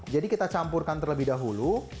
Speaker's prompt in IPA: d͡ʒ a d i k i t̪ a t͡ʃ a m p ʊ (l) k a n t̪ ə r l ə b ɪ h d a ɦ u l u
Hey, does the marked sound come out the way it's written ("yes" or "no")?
no